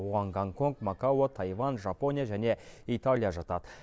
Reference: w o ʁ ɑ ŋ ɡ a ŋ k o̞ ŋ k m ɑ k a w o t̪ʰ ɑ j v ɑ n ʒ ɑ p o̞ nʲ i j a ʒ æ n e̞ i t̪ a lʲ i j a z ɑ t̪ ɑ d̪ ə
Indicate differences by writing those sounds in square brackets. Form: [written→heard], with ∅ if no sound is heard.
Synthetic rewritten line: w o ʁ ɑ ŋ ɡ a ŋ k o̞ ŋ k m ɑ k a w o t̪ʰ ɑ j v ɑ n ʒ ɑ p o̞ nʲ i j a ʒ æ n e̞ i t̪ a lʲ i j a [z→ʒ] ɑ t̪ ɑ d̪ ə